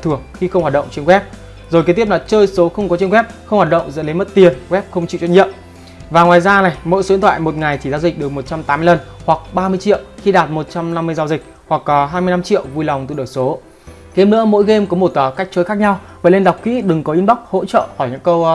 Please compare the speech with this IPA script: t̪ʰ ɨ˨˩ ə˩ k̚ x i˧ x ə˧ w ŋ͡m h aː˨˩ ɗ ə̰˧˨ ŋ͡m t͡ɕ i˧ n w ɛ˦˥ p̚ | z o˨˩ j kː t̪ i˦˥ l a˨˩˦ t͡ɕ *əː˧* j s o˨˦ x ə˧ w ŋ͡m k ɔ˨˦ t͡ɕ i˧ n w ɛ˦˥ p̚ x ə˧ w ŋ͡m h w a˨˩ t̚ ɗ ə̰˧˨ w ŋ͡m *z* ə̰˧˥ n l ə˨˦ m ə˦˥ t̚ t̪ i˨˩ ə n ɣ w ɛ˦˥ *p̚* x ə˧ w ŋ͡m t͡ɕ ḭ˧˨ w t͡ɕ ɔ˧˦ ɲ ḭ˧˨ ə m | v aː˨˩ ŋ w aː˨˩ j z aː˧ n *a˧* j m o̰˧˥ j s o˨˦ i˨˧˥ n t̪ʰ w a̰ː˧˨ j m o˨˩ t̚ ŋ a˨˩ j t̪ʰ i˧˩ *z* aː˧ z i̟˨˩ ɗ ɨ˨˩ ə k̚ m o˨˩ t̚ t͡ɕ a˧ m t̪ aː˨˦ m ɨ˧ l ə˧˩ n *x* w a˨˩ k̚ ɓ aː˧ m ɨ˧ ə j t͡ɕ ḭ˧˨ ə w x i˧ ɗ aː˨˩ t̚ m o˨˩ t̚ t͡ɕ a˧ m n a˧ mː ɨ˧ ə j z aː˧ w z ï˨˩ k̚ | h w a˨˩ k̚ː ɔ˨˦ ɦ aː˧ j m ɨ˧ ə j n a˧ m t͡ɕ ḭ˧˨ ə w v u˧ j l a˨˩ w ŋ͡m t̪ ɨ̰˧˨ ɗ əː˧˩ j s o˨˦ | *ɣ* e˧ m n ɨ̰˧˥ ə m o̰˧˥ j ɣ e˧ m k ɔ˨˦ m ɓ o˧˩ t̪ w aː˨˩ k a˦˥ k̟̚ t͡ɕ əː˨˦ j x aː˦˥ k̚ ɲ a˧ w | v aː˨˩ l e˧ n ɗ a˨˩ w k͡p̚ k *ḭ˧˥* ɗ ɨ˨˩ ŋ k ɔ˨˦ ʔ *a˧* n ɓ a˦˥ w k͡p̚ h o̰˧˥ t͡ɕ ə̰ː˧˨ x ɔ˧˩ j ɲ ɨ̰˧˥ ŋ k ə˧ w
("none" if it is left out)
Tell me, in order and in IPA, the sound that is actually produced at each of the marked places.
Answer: əː˧, z, p̚, a˨˩, z, h, ɣ, ḭ˧˥, i˧

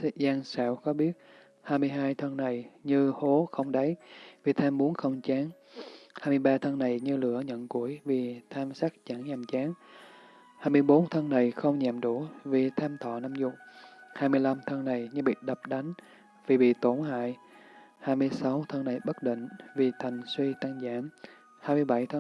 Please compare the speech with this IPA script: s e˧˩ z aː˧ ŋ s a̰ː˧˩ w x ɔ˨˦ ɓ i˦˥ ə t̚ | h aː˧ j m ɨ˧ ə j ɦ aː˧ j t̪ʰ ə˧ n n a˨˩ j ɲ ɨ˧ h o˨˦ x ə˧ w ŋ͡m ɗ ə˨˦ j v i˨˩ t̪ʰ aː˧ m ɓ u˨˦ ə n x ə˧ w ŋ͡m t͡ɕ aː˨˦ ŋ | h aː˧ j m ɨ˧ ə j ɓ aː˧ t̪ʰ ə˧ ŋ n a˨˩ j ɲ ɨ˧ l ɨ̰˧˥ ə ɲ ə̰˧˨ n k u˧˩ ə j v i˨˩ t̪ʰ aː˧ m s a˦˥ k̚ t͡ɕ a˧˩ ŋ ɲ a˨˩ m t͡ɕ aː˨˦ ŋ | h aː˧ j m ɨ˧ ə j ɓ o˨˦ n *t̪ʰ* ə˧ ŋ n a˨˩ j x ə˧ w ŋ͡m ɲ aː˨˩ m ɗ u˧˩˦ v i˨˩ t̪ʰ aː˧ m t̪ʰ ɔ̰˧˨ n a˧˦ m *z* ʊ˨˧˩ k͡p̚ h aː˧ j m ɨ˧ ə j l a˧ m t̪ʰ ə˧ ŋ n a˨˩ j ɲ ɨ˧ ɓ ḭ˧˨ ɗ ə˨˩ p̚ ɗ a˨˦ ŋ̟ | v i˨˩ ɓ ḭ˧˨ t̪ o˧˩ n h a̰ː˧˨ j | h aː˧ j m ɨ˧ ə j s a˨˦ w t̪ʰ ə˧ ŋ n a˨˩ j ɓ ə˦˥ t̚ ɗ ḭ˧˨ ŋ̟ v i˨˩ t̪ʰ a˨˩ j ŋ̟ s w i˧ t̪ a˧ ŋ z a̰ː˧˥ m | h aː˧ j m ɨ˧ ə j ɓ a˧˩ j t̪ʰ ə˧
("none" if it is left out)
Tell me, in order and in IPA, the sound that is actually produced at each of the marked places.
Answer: t̪ʰ, z

